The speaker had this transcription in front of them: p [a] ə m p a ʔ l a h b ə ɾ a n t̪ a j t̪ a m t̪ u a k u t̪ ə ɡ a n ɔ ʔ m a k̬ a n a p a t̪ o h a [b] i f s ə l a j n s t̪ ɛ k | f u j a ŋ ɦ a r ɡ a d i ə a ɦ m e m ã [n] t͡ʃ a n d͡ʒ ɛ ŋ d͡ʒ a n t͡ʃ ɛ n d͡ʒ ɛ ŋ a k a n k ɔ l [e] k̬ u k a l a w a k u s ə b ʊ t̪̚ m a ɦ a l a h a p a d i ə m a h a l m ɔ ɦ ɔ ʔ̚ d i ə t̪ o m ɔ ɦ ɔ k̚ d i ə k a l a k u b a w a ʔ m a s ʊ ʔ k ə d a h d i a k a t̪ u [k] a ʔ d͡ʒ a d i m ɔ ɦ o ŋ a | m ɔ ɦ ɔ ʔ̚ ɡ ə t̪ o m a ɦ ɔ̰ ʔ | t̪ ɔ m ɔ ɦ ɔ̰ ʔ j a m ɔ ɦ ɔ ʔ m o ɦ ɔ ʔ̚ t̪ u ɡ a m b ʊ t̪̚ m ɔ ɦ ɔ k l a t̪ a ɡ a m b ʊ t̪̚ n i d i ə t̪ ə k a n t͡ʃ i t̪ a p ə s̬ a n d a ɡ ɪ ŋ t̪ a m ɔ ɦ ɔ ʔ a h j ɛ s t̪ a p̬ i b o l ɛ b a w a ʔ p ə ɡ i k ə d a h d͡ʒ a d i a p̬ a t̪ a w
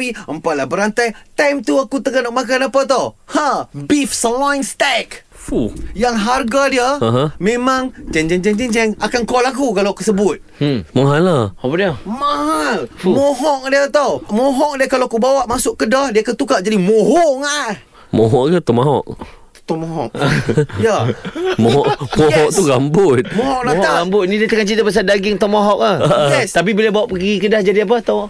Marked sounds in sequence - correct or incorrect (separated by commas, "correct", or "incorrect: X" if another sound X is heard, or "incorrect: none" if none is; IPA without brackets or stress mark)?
incorrect: i, correct, incorrect: ŋ, incorrect: a, correct